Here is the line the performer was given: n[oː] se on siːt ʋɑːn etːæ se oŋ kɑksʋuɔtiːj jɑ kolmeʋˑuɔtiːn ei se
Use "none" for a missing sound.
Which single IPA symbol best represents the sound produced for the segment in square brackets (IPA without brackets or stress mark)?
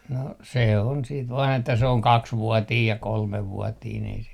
o